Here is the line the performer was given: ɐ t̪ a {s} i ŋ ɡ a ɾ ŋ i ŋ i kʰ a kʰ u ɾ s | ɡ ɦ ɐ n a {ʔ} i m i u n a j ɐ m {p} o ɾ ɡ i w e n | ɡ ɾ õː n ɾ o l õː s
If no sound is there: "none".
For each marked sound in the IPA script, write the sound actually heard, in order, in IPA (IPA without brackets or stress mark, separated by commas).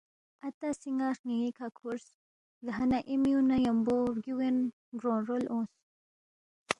s, ʔ, b